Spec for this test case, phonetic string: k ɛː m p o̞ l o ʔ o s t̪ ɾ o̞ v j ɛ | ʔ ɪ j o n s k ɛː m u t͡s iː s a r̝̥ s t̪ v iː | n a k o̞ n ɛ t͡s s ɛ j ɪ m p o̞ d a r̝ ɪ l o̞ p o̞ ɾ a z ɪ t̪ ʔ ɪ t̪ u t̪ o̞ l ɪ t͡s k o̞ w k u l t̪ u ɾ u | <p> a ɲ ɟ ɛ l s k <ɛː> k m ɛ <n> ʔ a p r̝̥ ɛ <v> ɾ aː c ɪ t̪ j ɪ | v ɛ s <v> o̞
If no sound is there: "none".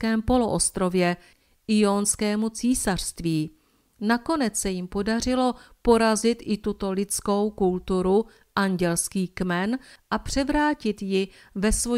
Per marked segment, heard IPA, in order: ʔ, iː, n, v, v

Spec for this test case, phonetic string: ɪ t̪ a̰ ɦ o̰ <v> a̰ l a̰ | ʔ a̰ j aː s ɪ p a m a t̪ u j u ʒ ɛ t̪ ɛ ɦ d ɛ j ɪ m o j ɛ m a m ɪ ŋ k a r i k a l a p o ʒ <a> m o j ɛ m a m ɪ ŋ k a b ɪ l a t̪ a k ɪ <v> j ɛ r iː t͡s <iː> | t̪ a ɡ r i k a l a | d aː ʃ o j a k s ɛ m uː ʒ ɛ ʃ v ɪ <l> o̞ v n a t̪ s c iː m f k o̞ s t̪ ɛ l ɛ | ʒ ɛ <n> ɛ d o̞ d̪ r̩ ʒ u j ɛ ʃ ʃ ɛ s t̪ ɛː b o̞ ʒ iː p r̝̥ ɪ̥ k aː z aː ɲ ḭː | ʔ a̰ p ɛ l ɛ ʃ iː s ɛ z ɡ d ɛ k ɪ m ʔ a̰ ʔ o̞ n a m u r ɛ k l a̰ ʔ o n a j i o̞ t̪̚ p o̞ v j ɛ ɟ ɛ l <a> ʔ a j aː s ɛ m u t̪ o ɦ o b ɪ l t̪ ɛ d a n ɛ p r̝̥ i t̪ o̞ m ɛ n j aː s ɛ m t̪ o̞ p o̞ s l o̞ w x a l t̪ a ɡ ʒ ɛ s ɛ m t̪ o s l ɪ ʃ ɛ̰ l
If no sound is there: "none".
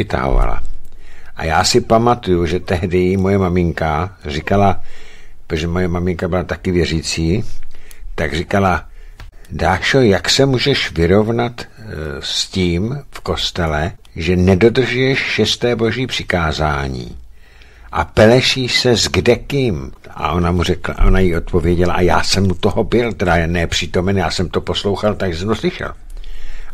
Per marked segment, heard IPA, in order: v, ɛ, v, iː, ɾ, n, a

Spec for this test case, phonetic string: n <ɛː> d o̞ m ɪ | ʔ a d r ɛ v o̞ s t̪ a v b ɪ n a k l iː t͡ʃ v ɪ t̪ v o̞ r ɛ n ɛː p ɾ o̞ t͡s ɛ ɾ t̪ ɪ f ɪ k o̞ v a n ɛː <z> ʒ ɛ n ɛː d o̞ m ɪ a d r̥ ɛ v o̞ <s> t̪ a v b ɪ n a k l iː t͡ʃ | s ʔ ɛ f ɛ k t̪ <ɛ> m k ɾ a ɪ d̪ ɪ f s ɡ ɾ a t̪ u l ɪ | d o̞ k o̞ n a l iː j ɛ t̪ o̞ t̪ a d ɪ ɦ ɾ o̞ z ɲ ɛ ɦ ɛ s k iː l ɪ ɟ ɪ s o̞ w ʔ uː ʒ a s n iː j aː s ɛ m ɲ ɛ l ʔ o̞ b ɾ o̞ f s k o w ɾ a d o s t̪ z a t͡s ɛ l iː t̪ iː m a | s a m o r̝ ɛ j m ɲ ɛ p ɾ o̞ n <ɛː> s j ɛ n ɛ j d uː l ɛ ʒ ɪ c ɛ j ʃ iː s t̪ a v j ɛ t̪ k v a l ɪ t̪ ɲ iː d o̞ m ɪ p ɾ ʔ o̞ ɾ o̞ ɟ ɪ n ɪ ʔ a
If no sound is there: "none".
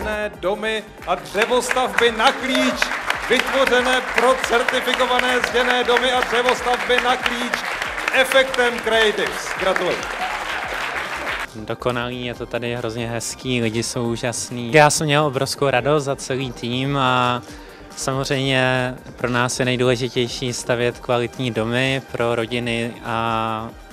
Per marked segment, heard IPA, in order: ɛː, z, s, ɛ, aː

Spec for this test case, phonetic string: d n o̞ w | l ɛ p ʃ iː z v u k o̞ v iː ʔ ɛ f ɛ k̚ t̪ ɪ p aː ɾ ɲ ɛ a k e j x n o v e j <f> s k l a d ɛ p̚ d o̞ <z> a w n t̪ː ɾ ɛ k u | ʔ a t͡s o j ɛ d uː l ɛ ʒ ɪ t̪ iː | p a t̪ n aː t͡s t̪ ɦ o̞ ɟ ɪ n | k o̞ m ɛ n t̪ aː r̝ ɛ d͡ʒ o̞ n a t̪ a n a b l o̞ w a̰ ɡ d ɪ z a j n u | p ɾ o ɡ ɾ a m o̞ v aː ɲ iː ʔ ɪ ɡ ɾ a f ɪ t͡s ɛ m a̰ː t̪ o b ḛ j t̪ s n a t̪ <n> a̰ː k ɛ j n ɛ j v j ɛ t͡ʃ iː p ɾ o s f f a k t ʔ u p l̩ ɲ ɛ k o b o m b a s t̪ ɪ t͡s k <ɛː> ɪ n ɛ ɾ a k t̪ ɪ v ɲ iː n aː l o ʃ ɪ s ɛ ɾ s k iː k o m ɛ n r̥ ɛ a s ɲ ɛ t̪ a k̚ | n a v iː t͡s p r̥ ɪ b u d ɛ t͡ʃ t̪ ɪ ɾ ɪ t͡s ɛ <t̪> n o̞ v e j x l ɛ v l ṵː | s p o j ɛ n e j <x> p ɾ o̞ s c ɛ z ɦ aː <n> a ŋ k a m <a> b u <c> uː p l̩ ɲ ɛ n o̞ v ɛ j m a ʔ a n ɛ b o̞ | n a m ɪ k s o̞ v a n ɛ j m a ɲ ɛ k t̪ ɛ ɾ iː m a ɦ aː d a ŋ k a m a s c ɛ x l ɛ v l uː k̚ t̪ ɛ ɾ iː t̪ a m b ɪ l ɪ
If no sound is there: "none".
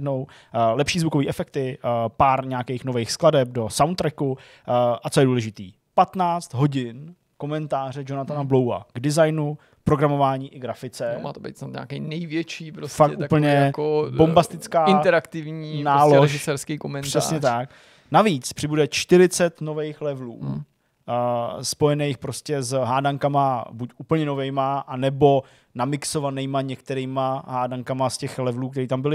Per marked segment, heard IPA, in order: x, s, ɲ, aː, t̪, x, d, a, c

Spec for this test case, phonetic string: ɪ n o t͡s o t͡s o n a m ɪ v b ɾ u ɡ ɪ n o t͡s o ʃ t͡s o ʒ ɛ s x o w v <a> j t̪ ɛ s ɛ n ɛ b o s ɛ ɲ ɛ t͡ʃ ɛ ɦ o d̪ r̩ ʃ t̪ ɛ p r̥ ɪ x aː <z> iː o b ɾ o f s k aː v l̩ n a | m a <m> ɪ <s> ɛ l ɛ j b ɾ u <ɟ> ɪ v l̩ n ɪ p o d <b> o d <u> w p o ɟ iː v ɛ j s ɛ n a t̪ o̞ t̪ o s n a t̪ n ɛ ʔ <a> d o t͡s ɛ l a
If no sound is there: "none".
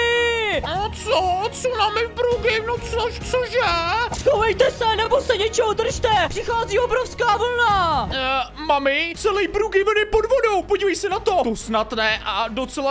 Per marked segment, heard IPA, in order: ɛ, z, m, t͡s, ɡ, v, o, a

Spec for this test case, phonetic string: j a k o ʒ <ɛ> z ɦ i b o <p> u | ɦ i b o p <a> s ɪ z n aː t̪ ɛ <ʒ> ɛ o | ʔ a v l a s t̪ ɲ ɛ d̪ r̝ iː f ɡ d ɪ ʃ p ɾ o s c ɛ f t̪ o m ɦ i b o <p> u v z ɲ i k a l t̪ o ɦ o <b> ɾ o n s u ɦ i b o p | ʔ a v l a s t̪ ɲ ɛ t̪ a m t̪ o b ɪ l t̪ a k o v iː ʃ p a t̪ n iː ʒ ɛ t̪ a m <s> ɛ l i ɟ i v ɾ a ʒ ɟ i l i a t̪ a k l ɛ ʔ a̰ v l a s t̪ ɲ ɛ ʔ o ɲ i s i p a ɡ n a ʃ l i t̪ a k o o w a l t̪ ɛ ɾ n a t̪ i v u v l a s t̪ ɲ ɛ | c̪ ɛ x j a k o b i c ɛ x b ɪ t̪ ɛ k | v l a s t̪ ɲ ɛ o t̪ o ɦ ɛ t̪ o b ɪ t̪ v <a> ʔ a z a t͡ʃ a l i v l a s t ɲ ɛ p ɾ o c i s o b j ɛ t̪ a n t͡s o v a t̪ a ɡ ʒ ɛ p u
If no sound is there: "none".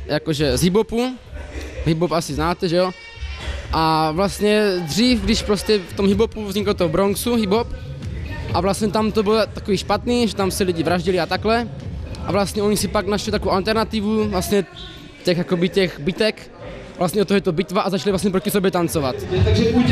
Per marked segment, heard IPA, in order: ɛ, p, a, ʒ, p, b, s, a

